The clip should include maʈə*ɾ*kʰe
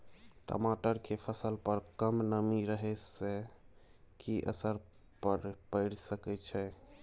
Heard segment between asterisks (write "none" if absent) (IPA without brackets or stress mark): ɾ